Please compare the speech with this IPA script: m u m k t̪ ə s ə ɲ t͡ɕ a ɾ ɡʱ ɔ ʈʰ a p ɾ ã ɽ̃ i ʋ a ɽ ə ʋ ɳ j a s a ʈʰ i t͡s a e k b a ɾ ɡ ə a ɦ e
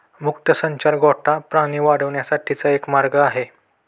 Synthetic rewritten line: m u k t̪ ə s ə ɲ t͡ɕ a ɾ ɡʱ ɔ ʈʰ a p ɾ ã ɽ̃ i ʋ a ɽ ə ʋ ɳ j a s a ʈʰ i t͡s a e k m a ɾ ɡ ə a ɦ e